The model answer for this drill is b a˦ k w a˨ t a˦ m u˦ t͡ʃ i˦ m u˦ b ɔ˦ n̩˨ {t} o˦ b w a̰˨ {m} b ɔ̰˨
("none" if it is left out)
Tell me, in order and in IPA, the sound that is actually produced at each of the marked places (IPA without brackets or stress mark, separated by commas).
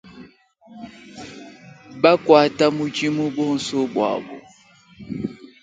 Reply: s, none